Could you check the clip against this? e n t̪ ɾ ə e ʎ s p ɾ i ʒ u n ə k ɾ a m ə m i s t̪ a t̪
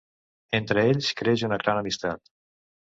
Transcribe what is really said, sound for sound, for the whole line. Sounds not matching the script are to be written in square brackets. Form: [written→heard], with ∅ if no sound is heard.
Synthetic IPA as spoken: e n t̪ ɾ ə e ʎ s [p→k] ɾ [i→e] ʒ u n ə k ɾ a [m→n] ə m i s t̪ a t̪